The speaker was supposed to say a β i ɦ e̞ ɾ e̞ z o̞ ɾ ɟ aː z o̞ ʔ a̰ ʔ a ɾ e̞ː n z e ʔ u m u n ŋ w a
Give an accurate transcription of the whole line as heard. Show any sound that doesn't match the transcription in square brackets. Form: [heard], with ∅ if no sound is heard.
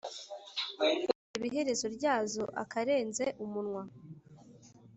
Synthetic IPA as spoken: [i] β i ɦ e̞ ɾ e̞ z o̞ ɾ ɟ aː z o̞ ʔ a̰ [k] a ɾ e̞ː n z e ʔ u m u n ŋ w a